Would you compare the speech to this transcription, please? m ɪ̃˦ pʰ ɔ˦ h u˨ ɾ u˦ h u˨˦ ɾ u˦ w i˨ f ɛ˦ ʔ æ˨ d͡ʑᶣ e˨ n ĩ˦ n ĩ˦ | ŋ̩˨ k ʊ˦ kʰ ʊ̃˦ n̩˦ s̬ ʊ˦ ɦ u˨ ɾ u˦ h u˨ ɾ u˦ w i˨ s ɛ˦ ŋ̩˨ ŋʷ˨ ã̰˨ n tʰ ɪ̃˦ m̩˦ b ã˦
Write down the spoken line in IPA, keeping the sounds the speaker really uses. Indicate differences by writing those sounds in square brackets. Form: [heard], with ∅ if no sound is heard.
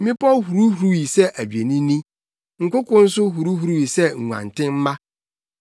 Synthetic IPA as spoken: m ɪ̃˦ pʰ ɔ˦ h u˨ ɾ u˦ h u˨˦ ɾ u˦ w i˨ [s] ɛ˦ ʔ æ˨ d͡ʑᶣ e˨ n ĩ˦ n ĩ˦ | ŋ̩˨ k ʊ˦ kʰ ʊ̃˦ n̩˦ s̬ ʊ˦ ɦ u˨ ɾ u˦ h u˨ ɾ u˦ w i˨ s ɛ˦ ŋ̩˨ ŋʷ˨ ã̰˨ n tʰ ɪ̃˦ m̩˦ [m] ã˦